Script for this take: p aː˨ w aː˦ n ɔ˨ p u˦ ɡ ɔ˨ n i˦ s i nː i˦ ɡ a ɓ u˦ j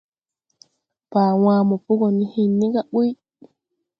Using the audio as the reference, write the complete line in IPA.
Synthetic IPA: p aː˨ w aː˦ m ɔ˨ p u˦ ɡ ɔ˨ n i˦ h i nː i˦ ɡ a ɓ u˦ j